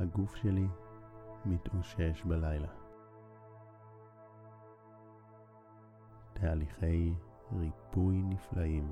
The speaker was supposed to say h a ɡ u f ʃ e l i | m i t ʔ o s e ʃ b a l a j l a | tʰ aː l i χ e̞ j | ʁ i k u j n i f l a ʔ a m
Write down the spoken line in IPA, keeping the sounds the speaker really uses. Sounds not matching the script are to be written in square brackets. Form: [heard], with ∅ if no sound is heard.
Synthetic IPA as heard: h a ɡ u f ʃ e l i | m i t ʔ o [ʃ] e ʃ b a l a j l a | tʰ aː l i χ e̞ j | ʁ i [p] u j n i f l a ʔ [i] m